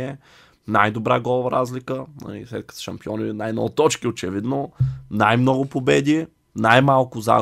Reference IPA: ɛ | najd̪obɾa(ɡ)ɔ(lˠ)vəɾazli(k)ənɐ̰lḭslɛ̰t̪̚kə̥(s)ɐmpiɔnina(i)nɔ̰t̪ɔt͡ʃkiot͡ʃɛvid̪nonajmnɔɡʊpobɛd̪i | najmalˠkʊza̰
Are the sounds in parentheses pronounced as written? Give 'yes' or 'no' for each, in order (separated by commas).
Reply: yes, yes, yes, no, no